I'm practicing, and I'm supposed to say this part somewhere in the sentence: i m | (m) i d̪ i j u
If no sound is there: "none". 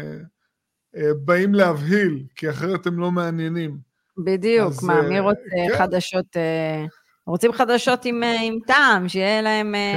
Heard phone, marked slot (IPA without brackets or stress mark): b